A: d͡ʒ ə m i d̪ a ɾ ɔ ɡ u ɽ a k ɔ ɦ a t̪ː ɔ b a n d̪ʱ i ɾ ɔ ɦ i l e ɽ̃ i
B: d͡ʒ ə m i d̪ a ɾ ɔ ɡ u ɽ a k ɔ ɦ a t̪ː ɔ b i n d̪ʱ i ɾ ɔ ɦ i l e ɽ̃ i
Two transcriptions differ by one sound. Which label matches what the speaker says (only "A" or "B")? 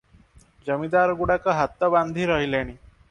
A